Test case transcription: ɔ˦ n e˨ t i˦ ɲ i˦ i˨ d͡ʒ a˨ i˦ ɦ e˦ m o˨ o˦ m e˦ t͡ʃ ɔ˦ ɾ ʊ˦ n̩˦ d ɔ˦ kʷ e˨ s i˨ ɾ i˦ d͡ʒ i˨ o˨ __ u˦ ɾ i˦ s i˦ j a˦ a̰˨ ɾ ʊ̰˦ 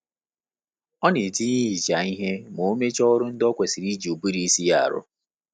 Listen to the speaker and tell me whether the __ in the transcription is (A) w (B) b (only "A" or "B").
B